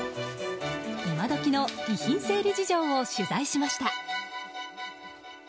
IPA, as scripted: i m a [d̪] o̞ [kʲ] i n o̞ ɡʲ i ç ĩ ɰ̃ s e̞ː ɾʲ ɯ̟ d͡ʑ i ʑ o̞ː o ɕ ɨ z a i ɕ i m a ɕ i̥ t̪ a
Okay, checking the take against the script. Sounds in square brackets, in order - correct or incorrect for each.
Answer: correct, correct

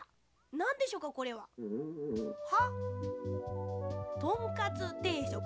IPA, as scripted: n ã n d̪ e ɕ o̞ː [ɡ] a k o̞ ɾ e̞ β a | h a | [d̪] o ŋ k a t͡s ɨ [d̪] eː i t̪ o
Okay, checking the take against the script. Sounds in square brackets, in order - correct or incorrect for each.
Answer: incorrect: k, incorrect: t̪, incorrect: t̪

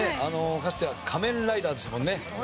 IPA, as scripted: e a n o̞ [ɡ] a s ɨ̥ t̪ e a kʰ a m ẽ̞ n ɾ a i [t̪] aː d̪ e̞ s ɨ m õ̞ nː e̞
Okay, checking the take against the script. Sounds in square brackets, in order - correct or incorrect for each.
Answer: incorrect: k, incorrect: d̪

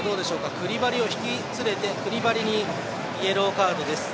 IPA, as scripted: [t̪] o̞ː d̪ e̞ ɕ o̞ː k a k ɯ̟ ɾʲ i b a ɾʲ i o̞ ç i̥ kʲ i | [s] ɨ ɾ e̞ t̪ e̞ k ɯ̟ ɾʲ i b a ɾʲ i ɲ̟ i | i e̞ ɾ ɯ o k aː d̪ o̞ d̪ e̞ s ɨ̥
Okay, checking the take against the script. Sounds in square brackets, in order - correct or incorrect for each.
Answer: incorrect: d̪, incorrect: t͡s

